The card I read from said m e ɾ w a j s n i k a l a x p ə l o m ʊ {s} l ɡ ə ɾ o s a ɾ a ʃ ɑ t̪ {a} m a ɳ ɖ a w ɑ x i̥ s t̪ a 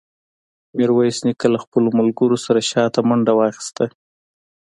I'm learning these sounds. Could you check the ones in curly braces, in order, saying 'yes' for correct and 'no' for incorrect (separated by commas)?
no, yes